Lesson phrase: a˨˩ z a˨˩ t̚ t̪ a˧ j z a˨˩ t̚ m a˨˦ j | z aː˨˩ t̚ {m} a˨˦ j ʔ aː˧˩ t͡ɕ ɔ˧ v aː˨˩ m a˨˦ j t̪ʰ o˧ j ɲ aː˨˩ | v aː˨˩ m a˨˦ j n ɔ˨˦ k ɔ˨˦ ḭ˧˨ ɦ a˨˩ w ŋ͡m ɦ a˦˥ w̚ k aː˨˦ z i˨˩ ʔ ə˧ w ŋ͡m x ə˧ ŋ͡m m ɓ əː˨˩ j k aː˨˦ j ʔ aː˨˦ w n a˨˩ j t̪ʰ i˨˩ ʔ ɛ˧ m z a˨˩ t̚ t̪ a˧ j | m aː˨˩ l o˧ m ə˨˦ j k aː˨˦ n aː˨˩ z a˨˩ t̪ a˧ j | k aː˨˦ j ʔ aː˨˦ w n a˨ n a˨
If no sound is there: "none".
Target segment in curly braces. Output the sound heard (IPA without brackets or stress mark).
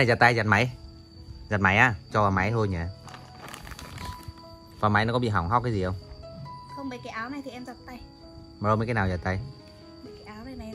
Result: m